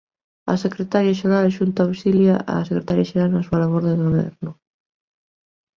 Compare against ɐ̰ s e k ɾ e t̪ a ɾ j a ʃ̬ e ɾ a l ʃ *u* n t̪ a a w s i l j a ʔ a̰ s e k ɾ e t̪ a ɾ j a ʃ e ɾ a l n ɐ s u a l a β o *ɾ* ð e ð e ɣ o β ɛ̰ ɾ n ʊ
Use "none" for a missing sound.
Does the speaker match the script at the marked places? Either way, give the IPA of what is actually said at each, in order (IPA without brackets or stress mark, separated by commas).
u, ɾ